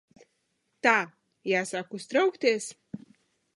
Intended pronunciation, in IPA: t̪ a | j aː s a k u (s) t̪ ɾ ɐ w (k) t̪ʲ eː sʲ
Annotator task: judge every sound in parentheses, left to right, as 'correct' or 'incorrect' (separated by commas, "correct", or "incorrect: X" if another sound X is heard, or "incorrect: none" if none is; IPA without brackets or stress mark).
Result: correct, correct